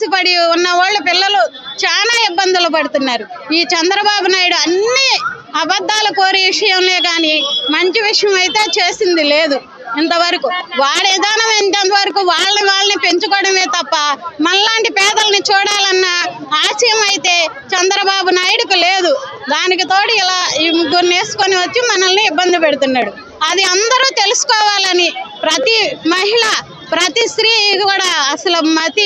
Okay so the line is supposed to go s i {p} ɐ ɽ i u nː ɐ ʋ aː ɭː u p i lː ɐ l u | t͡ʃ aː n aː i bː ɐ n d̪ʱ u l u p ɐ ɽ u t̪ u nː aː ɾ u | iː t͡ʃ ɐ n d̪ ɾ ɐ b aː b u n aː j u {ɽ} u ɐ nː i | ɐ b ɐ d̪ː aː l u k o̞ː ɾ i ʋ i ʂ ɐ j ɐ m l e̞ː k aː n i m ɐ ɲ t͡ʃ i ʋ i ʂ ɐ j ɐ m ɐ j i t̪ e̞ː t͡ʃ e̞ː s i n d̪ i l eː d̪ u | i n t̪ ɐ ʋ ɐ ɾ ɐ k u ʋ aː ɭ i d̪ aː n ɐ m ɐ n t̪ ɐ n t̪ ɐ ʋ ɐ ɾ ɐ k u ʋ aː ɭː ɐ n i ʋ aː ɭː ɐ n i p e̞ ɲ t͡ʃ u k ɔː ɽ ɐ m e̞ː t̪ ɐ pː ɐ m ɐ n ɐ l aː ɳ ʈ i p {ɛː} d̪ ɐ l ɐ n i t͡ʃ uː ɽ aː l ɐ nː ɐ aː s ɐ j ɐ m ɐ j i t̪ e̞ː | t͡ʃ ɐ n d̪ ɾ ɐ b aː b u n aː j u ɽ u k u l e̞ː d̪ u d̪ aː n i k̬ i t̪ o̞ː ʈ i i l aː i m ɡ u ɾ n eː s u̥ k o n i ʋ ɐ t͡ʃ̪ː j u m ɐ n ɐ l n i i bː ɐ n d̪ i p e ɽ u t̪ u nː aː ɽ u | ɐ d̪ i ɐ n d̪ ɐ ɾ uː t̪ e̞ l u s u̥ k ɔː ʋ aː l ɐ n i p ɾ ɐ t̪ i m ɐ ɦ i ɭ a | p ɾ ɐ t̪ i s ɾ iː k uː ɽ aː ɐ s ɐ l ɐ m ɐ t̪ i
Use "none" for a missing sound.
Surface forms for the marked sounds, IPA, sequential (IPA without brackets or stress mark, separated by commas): p, ɽ, ɛː